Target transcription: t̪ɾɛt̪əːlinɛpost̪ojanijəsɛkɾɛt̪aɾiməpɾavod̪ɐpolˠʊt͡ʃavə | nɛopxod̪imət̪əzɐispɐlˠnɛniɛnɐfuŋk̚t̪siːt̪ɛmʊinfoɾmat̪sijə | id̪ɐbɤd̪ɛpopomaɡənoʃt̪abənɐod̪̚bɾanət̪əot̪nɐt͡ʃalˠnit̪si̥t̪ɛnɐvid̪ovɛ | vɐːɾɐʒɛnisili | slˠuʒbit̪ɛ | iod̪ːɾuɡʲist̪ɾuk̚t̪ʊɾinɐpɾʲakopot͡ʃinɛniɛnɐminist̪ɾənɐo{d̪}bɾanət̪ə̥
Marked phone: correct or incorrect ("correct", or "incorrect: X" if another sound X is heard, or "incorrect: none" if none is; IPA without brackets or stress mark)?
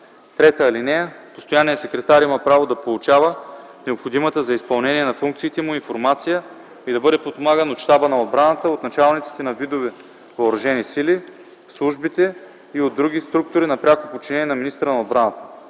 correct